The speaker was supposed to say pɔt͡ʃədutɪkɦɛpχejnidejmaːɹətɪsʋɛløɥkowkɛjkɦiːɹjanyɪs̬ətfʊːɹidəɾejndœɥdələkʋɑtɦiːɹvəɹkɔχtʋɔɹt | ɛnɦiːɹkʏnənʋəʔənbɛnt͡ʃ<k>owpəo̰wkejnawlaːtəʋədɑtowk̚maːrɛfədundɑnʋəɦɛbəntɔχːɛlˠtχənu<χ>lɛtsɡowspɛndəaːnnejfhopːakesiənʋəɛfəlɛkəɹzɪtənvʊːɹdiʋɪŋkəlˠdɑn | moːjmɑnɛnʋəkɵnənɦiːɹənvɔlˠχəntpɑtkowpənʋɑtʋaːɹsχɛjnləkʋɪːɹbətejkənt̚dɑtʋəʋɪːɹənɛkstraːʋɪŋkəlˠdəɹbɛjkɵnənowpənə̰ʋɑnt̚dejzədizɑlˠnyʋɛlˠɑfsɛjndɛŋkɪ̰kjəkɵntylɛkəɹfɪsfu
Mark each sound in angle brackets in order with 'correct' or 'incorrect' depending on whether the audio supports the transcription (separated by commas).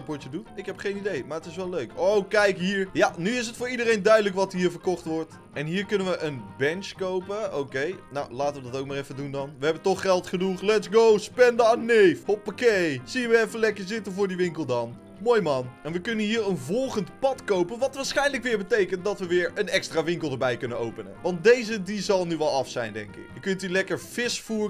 correct, correct